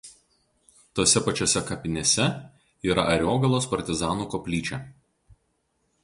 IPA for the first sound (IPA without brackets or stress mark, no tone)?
t̪